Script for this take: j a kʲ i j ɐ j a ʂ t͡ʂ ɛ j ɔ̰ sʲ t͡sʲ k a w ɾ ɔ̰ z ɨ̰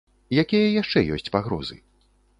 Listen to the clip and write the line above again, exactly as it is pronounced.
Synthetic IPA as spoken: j a kʲ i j ɐ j a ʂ t͡ʂ ɛ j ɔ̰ sʲ t͡sʲ p a ɣ ɾ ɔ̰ z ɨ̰